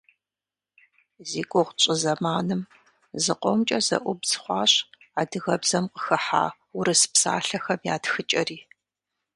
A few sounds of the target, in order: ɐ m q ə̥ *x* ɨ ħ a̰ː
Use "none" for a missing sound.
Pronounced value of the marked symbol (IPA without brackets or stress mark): x